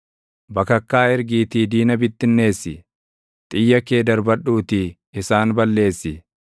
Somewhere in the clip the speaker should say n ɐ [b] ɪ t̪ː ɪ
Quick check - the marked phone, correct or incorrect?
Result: correct